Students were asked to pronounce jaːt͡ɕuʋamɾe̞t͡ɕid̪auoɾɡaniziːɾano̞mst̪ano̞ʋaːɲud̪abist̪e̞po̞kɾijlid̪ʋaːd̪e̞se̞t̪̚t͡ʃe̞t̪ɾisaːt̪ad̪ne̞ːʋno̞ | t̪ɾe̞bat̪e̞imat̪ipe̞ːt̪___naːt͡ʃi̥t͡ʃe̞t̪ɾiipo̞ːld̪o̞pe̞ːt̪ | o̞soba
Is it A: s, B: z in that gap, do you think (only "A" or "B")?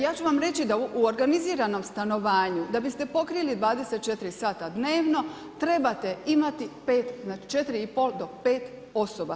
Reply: B